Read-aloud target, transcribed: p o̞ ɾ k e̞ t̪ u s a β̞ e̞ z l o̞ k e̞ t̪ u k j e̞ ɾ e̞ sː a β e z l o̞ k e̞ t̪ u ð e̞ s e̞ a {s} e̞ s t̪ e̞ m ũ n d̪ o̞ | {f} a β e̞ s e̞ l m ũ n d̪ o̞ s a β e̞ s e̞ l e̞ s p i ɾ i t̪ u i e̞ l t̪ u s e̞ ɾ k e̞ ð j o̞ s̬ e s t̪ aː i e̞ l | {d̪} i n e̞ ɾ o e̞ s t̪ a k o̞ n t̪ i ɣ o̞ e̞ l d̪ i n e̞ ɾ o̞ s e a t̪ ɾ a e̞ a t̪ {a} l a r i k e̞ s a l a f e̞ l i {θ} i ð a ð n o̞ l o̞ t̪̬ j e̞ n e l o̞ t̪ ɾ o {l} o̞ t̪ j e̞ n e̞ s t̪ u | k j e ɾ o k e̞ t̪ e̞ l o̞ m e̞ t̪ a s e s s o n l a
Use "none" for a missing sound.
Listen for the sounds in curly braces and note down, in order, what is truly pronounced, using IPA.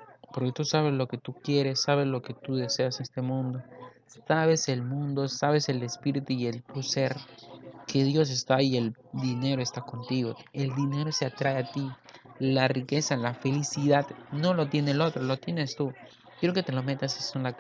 s, s, d̪, i, s, l

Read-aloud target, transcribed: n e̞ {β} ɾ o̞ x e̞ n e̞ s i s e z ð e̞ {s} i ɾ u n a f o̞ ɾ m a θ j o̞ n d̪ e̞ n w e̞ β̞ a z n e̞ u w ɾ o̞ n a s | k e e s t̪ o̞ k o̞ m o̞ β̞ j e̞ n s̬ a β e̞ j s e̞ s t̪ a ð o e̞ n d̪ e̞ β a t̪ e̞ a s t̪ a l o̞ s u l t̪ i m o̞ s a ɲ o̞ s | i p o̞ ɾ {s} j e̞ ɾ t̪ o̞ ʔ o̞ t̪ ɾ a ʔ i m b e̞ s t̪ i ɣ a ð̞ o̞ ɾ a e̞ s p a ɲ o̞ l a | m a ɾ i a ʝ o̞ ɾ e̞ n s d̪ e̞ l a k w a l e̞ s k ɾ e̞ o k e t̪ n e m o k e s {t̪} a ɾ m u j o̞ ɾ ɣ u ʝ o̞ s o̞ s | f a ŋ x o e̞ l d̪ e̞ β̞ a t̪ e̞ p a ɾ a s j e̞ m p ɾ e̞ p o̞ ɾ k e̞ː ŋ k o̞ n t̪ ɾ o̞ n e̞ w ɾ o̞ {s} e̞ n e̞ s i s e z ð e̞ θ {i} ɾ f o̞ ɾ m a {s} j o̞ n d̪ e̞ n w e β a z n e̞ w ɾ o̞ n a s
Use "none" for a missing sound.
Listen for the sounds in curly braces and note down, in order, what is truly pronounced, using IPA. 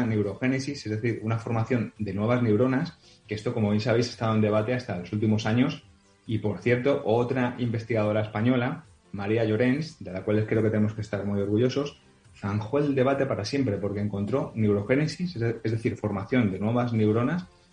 w, θ, θ, t̪, x, i, θ

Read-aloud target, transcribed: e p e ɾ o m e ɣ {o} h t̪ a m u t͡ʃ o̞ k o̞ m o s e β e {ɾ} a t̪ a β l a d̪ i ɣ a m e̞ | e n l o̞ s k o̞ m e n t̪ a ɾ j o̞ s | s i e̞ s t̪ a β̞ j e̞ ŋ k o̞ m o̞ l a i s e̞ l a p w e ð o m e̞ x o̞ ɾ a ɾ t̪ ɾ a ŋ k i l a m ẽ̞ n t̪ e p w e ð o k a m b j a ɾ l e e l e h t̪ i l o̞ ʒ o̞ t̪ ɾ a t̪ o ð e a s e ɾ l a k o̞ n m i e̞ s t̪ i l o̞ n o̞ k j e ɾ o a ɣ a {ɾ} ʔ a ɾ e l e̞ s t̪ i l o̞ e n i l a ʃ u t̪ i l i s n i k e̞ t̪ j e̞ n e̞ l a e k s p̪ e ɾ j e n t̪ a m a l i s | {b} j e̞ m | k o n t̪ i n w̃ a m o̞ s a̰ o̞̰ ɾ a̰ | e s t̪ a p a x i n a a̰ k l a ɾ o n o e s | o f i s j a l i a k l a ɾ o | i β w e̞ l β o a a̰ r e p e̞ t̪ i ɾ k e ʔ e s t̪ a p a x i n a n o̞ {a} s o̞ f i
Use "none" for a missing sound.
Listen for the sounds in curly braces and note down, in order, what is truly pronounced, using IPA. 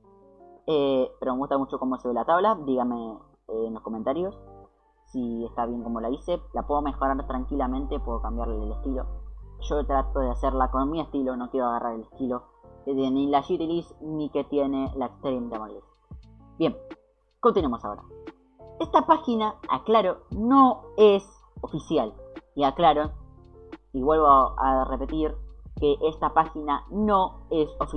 u, l, r, b, e

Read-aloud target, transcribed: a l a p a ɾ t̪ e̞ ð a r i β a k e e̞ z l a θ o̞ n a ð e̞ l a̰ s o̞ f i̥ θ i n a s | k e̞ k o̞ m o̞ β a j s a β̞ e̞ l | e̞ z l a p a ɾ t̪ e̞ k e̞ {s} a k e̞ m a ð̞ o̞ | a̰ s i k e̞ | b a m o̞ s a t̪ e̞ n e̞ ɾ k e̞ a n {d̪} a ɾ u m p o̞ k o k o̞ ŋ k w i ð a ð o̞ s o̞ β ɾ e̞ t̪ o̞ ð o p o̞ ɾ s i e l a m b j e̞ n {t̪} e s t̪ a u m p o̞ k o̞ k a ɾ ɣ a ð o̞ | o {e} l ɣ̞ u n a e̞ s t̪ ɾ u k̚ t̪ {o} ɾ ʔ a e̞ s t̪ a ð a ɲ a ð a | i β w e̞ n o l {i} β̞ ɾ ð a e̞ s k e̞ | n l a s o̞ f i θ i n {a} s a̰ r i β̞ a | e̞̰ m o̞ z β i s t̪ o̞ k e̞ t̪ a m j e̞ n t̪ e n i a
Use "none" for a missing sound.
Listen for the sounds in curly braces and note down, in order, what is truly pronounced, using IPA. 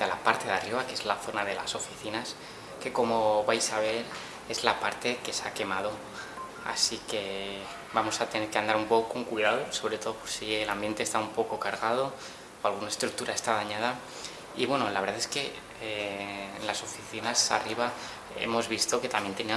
s, d̪, t̪, a, u, a, a

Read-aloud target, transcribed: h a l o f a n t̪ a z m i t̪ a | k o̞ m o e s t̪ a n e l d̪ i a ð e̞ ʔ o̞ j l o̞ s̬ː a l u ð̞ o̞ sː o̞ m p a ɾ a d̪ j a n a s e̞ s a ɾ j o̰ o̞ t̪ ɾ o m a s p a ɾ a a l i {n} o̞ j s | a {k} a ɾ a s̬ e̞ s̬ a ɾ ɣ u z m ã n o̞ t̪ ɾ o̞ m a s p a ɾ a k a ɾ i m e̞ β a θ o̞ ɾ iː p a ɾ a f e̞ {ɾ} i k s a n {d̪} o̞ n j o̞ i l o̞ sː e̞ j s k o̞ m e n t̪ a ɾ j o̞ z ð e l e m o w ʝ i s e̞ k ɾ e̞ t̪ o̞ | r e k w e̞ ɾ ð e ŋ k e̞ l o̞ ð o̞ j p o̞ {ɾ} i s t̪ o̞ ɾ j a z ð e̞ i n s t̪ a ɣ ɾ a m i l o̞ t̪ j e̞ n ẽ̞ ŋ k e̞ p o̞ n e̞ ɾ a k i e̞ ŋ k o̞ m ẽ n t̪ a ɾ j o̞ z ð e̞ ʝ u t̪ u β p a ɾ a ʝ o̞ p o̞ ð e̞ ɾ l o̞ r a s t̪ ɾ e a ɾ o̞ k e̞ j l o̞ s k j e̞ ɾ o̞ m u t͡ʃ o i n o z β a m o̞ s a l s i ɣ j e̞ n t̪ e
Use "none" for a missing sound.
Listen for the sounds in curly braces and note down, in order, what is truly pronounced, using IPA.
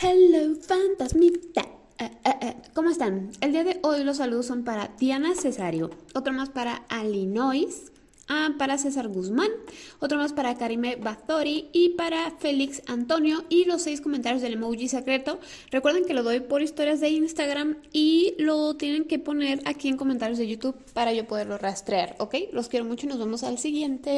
n, p, l, t̪, ɾ

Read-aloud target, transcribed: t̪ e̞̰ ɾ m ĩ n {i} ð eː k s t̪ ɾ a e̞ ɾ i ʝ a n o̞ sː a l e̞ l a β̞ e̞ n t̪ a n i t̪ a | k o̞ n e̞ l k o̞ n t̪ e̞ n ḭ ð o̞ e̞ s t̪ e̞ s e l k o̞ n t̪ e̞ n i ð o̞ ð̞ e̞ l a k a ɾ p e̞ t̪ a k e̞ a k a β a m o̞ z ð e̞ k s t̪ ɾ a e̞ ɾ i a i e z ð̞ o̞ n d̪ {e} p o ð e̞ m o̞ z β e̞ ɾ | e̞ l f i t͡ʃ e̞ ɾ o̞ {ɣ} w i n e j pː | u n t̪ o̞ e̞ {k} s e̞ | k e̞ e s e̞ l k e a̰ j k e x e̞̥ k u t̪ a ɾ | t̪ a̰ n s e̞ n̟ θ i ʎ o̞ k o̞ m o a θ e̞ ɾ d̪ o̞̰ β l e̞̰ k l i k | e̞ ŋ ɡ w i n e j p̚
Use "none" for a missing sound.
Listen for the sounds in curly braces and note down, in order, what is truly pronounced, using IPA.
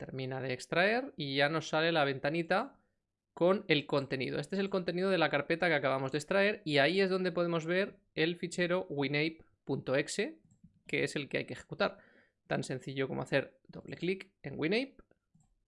a, e, ɣ, k

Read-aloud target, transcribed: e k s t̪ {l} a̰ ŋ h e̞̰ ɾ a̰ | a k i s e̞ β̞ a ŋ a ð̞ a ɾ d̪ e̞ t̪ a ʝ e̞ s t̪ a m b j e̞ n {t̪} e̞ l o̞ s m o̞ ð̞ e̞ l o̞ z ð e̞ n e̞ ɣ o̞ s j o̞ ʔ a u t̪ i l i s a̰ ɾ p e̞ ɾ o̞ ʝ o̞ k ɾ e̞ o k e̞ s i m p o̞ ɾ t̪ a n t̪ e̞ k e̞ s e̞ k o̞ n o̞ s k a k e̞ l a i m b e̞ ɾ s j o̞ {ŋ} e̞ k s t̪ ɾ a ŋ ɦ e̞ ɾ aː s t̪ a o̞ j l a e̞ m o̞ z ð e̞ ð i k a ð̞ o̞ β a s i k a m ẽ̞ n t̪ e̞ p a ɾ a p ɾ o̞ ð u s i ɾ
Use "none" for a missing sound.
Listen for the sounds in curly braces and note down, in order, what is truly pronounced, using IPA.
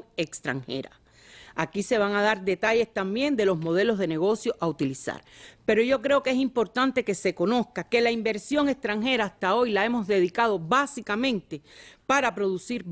ɾ, d̪, ŋ

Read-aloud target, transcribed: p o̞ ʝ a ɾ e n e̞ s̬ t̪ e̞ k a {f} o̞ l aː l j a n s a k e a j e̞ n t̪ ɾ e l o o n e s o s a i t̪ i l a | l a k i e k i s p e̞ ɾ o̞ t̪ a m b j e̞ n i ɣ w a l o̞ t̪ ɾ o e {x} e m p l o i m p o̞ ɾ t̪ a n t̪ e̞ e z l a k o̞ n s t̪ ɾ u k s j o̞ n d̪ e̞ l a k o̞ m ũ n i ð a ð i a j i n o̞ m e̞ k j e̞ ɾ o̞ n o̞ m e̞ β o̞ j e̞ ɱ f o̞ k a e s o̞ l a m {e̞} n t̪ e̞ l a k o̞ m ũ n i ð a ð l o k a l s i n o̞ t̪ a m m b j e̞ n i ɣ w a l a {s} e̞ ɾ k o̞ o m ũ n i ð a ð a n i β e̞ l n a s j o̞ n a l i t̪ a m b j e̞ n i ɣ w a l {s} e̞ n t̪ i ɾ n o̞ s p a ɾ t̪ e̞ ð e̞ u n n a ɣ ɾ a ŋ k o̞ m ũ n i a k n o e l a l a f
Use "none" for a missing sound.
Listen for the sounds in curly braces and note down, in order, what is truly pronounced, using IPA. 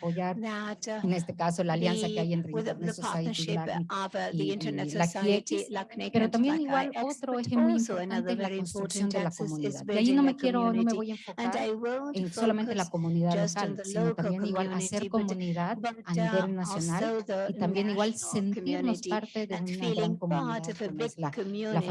s, x, e̞, s, s

